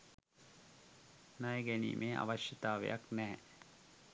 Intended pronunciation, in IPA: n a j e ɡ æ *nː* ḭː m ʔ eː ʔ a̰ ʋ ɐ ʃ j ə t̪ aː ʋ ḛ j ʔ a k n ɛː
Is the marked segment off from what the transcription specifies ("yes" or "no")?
yes